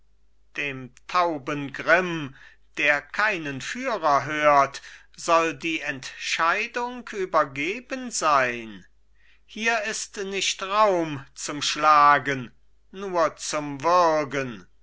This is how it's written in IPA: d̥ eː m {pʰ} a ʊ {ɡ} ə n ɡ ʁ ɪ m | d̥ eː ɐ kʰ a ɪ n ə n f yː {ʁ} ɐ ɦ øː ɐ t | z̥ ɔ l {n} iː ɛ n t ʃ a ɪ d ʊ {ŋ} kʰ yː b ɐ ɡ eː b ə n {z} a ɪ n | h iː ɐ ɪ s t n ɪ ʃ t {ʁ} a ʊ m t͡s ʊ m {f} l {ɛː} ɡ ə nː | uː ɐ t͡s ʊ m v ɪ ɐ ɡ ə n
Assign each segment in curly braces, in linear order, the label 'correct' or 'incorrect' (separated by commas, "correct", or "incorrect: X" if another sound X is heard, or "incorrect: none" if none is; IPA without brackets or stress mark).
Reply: incorrect: tʰ, incorrect: b, correct, incorrect: d, correct, correct, correct, incorrect: ʃ, incorrect: aː